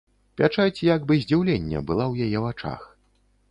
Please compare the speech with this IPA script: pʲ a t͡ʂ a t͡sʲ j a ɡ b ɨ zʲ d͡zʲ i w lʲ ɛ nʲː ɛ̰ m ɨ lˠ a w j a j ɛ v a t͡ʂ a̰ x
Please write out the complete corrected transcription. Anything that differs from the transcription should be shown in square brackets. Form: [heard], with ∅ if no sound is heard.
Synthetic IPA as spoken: pʲ a t͡ʂ a t͡sʲ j a ɡ b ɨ zʲ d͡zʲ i w lʲ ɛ nʲː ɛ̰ [b] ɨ lˠ a w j a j ɛ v a t͡ʂ a̰ x